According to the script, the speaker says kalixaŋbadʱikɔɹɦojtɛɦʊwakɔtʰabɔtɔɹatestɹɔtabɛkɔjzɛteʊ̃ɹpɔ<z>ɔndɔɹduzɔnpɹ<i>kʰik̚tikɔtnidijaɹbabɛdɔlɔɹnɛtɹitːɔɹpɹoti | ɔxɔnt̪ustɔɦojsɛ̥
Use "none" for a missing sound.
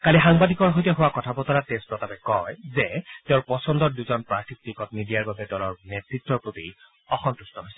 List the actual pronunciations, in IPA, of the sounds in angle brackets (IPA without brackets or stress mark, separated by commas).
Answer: s, a